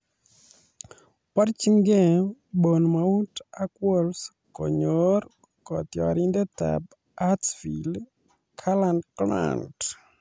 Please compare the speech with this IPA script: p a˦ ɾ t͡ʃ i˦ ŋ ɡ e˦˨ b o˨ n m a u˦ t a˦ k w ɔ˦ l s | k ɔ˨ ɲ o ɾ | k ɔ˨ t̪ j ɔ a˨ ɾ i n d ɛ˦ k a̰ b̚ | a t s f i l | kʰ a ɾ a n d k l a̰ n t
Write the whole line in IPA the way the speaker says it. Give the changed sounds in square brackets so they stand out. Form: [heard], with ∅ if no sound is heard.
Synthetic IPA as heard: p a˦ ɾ t͡ʃ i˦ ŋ ɡ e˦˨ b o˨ n m a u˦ t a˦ k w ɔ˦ l s | k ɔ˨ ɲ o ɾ | k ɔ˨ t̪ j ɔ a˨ ɾ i n d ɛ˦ [t] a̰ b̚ | a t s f i l | kʰ a [l] a n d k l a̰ n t

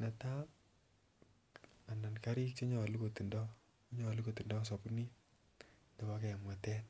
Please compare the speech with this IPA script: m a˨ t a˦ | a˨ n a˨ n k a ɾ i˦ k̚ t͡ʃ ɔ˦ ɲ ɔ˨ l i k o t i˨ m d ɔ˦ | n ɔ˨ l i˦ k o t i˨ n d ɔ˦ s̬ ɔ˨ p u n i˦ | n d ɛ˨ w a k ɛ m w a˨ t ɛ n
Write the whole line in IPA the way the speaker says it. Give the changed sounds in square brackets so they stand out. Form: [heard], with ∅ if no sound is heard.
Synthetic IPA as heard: [n] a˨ t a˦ | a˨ n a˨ n k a ɾ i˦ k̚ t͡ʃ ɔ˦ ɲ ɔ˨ l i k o t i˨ [n] d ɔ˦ | [ɲ] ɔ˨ l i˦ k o t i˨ n d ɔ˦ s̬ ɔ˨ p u n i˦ | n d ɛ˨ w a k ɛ m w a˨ t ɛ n

